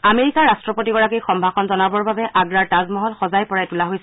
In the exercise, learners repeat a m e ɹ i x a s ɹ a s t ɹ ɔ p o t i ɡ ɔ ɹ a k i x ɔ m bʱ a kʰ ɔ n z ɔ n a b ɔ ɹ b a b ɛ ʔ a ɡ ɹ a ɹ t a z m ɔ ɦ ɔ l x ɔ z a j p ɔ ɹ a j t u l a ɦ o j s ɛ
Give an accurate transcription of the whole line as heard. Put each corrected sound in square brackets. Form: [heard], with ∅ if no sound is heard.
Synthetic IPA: a m e ɹ i [k] a [∅] ɹ a s t ɹ ɔ p o t i ɡ ɔ ɹ a k i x ɔ m bʱ a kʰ ɔ n z ɔ n a b ɔ ɹ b a b ɛ ʔ a ɡ ɹ a ɹ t a z m ɔ ɦ ɔ l x ɔ z a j p ɔ ɹ a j t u l a ɦ o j s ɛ